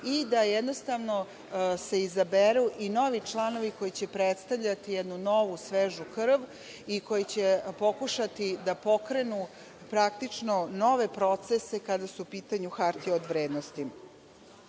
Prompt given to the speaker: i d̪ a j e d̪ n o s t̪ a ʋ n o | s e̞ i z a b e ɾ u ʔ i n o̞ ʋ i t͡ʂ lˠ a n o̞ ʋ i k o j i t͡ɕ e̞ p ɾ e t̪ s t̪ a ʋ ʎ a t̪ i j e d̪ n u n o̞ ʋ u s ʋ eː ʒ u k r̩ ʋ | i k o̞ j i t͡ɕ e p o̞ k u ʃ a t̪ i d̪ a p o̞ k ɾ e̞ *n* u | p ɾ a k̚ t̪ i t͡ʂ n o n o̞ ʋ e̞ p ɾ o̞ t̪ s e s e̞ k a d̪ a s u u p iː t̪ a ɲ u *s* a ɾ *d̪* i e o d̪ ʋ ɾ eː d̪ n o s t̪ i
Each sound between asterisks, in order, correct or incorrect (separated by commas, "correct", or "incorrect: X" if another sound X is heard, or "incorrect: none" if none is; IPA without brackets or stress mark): correct, incorrect: x, incorrect: t̪